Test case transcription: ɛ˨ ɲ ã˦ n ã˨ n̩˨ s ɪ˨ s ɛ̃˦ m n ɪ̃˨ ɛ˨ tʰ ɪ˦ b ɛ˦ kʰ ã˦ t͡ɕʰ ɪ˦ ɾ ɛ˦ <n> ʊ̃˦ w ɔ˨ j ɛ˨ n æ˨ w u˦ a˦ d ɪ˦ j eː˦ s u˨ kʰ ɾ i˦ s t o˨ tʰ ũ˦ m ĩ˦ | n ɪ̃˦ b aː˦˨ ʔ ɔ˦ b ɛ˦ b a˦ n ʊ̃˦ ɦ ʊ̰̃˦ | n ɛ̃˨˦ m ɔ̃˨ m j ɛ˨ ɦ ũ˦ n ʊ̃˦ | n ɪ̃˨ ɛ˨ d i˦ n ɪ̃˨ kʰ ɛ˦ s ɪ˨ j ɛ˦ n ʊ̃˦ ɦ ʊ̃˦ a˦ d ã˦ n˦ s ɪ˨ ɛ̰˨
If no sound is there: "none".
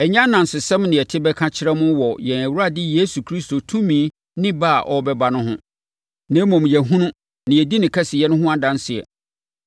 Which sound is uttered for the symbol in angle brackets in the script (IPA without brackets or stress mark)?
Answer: m